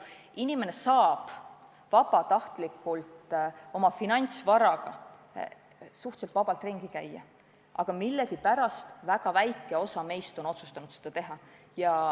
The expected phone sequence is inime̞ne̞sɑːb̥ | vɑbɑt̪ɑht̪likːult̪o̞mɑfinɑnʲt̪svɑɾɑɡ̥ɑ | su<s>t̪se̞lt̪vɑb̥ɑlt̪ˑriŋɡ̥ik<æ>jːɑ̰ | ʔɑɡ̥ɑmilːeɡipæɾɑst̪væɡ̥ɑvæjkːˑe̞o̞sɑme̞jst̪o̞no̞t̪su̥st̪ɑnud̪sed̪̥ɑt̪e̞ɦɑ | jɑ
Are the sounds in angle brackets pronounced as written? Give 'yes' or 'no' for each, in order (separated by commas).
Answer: no, yes